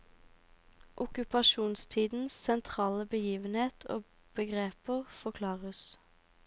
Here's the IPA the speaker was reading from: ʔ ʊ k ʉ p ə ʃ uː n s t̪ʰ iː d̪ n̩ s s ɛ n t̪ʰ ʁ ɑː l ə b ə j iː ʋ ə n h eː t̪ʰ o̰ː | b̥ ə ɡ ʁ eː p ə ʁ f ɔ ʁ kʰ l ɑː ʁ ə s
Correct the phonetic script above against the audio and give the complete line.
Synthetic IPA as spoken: ʔ ʊ k ʉ p ɑ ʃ uː n s t̪ʰ iː d̪ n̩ s s ɛ n t̪ʰ ʁ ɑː l ə b ə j iː ʋ ə n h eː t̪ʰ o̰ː | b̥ ə ɡ ʁ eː p ə ʁ f ɔ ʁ kʰ l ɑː ʁ ə s